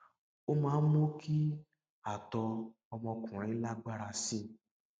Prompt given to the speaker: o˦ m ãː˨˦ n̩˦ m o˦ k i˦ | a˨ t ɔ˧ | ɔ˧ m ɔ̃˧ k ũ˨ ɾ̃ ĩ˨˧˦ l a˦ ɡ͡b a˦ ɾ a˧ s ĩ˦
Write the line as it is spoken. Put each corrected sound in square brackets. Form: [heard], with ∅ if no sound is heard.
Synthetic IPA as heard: o˦ m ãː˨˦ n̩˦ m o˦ k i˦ | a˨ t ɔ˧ | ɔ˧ m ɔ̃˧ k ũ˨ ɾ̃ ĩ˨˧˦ l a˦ ɡ͡b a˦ ɾ a˧ s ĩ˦